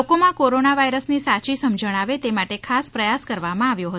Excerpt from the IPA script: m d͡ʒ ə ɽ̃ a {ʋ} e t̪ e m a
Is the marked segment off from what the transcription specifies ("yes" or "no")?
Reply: no